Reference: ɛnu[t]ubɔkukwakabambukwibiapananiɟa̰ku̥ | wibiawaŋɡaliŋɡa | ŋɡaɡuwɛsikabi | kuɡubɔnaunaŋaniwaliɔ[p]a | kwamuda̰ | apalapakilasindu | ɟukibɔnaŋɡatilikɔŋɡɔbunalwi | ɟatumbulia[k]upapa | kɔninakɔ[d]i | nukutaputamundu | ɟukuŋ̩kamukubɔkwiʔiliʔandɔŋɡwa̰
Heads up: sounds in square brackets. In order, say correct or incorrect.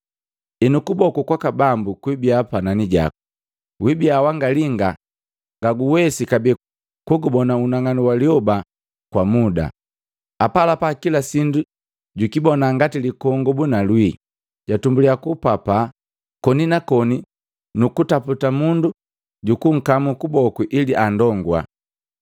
incorrect, incorrect, correct, incorrect

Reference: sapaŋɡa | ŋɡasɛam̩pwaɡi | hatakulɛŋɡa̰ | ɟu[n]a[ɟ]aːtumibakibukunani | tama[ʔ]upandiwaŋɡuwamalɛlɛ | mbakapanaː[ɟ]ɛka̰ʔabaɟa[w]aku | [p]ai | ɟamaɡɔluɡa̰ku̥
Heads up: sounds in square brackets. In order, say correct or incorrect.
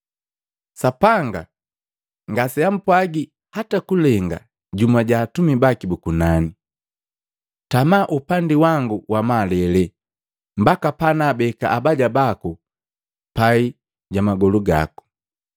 incorrect, correct, correct, incorrect, incorrect, correct

